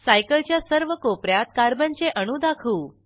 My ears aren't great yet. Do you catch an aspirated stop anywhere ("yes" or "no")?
yes